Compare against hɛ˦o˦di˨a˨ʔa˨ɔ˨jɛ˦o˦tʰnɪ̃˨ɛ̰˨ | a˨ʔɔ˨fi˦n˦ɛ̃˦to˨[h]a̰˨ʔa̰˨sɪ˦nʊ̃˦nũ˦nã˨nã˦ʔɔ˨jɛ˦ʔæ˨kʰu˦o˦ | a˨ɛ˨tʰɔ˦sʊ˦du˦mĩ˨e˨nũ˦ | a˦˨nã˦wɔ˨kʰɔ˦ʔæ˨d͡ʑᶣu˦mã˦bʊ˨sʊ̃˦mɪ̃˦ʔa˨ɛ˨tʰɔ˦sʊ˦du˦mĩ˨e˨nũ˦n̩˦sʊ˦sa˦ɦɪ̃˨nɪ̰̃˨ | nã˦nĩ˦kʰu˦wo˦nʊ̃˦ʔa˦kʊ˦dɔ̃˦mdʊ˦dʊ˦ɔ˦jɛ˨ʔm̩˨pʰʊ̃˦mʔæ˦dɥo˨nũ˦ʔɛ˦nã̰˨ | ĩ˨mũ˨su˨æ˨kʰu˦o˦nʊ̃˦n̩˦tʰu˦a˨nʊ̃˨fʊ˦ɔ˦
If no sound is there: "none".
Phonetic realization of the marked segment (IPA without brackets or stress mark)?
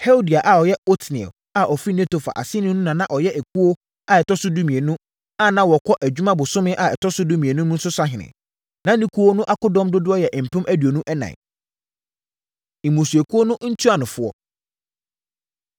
f